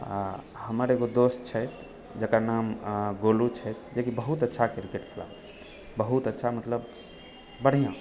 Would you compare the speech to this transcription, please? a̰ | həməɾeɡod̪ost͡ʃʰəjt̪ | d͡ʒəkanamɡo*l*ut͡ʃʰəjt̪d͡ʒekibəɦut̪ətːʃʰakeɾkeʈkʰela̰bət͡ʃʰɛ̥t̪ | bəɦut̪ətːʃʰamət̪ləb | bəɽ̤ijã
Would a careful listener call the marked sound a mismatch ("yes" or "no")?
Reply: no